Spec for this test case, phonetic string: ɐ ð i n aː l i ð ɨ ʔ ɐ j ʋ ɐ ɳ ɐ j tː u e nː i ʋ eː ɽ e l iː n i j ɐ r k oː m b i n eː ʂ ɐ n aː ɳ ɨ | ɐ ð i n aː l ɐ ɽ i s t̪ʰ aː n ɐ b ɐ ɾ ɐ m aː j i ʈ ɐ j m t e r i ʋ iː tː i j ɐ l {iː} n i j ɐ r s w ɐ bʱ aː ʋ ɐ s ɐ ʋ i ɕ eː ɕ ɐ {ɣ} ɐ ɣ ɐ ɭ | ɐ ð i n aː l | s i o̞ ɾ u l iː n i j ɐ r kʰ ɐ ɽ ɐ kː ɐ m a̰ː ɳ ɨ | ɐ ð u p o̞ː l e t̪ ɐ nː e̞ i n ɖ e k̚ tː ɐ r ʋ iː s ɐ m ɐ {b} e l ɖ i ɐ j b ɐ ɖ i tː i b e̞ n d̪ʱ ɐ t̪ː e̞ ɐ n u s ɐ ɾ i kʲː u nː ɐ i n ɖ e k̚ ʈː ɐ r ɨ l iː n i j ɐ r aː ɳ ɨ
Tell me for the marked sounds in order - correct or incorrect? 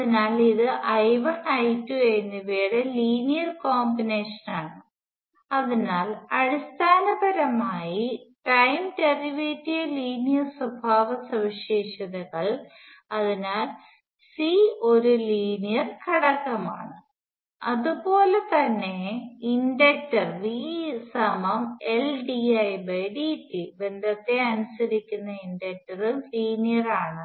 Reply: correct, incorrect: ð, incorrect: m

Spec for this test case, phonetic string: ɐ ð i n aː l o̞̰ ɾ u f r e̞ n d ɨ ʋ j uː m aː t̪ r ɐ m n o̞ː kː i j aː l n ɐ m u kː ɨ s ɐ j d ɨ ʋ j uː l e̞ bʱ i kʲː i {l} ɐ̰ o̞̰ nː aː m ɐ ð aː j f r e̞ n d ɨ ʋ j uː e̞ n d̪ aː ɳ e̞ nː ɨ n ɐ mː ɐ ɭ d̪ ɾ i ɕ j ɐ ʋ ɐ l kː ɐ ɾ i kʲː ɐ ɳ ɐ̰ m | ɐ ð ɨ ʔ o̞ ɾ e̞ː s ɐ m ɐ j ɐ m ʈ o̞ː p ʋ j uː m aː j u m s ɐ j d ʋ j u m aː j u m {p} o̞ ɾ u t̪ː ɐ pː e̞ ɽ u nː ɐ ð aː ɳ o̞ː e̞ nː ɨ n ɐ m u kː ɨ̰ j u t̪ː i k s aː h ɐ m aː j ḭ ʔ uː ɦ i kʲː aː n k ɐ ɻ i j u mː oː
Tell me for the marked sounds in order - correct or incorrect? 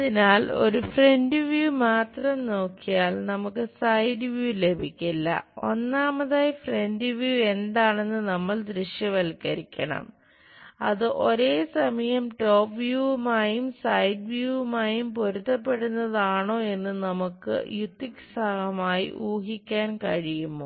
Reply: incorrect: lː, correct

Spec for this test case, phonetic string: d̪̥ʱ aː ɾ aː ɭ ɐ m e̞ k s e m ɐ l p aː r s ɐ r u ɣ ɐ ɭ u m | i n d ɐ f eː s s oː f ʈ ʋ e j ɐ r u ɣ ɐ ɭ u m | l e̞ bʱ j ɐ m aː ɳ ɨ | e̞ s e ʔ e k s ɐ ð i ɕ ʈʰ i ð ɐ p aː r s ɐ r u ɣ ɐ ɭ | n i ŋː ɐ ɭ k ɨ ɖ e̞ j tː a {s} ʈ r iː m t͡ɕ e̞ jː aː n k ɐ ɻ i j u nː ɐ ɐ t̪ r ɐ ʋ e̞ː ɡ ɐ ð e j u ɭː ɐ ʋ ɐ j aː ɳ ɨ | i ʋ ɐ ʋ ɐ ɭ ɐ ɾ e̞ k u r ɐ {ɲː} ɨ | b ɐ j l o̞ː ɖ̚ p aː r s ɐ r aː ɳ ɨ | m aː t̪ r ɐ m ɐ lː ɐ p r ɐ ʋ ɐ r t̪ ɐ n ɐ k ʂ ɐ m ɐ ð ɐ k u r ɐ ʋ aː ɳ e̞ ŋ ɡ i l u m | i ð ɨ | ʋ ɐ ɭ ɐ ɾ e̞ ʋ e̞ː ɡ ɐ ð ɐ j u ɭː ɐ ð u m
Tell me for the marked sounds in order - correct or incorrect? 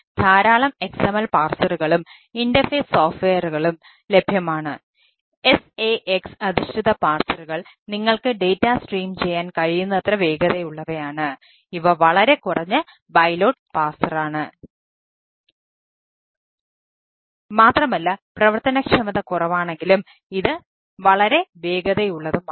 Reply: correct, correct

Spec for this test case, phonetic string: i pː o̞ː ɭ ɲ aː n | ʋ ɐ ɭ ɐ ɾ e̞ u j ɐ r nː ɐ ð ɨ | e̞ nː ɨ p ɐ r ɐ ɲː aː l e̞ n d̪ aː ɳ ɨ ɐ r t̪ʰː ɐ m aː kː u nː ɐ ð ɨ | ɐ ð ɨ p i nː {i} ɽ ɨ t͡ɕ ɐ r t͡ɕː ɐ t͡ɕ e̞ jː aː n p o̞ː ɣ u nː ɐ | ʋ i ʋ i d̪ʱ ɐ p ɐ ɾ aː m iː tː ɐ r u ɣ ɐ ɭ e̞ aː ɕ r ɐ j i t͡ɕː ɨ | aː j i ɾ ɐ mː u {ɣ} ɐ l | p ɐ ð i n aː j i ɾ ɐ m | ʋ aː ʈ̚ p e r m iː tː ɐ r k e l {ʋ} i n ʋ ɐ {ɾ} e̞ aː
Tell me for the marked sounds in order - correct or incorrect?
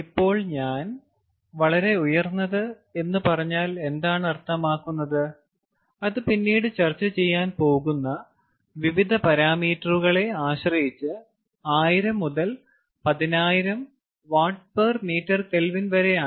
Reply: incorrect: iː, incorrect: ð, correct, correct

